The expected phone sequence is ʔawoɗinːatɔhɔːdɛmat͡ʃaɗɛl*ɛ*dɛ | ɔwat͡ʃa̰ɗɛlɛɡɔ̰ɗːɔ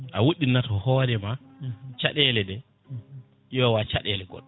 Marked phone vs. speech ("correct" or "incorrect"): correct